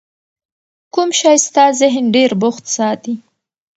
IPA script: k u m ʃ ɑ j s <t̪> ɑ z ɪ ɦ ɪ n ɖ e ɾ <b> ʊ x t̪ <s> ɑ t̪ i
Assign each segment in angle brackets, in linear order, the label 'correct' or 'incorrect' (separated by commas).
correct, correct, correct